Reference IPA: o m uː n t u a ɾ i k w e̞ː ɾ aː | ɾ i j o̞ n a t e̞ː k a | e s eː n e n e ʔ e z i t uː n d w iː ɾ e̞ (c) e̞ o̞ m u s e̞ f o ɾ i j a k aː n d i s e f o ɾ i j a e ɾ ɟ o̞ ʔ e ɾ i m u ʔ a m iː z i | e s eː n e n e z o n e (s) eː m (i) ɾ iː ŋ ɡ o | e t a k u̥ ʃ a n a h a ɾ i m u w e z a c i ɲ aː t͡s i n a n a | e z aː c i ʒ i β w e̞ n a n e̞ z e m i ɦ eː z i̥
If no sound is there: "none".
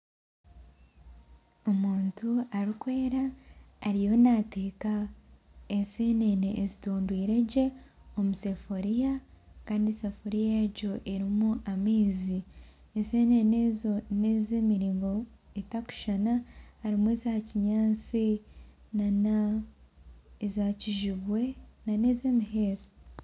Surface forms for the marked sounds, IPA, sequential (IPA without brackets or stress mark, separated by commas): ɟ, z, i